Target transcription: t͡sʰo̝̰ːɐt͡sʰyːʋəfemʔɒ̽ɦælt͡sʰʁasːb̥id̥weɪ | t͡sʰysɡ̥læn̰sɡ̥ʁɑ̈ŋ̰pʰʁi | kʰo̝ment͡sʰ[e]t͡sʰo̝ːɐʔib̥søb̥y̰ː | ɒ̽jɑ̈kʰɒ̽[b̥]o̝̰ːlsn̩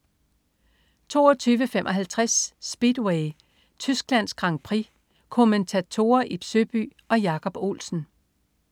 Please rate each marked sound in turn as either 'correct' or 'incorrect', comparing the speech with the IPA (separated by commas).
incorrect, correct